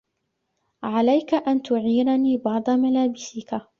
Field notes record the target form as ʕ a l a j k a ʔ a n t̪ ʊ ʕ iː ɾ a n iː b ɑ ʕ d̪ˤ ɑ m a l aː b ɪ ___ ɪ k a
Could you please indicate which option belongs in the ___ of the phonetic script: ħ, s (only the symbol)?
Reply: s